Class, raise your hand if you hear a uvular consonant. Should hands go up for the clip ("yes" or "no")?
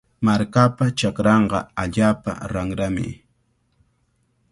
yes